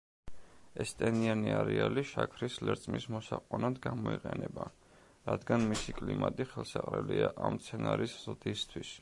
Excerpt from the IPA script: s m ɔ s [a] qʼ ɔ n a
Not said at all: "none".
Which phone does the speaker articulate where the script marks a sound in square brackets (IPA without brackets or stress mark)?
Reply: a